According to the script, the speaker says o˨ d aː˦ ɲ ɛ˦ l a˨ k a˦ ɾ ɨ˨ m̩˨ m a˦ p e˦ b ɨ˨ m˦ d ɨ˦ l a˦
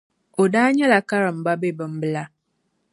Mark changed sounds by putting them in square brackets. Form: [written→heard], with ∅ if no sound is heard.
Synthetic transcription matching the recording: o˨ d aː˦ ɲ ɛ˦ l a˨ k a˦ ɾ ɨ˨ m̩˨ [m→b] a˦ [p→b] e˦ b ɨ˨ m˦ [d→b] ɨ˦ l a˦